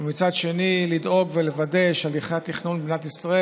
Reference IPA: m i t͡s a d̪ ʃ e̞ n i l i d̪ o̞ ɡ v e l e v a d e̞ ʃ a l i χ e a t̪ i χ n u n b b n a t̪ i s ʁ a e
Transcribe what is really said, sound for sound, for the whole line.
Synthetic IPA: m i t͡s a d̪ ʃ e̞ n i l i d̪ o̞ ɡ v e l e v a d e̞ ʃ a l i χ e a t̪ i χ n u n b b n a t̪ i s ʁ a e